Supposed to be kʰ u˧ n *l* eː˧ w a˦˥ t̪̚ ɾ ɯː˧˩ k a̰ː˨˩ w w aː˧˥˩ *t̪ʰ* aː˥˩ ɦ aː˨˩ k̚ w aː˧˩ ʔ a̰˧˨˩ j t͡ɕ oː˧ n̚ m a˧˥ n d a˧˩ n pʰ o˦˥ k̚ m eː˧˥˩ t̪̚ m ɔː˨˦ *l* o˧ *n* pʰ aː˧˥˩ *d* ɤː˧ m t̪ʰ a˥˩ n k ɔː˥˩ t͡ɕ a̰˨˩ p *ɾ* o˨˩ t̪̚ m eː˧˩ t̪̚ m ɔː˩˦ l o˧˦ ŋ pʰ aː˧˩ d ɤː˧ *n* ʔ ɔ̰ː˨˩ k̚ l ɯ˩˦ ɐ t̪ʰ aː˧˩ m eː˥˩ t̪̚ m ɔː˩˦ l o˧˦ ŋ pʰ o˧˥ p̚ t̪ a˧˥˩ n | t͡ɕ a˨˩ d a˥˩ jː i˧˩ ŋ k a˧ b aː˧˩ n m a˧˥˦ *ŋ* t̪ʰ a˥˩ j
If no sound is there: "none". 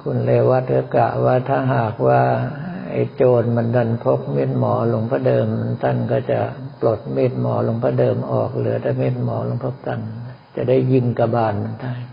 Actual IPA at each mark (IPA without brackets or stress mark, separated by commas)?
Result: l, t̪ʰ, l, ŋ, d, l, m, n